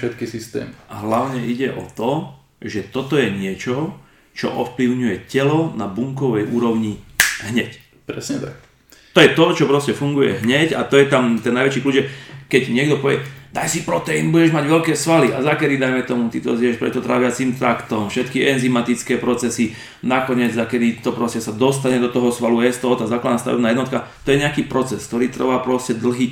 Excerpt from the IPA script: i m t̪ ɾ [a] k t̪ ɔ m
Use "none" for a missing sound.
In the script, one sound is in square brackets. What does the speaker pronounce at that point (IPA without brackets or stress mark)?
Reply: a